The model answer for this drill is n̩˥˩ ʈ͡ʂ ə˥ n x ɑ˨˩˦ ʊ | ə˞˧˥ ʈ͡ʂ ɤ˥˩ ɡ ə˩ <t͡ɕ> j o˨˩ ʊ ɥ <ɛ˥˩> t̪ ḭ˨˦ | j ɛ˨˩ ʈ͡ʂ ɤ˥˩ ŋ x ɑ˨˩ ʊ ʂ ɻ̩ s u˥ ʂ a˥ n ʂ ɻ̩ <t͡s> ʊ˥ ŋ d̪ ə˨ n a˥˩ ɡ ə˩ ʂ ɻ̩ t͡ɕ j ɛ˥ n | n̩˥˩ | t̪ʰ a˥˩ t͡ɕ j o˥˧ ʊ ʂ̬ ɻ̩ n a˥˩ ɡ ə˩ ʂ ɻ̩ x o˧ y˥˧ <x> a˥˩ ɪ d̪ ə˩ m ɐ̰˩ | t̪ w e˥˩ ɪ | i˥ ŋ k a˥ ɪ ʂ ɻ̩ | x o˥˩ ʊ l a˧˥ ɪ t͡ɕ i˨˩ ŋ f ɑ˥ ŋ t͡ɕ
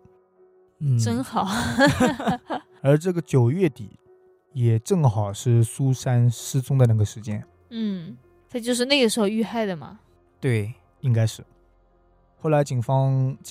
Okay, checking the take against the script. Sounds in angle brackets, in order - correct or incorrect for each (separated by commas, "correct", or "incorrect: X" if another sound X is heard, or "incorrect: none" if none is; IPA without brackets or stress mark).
correct, correct, correct, correct